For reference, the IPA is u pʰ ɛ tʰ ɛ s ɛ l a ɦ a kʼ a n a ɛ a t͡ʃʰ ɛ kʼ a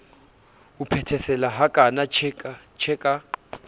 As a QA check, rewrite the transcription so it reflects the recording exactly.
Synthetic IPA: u pʰ ɛ tʰ ɛ s ɛ l a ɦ a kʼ a n a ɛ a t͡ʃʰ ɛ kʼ a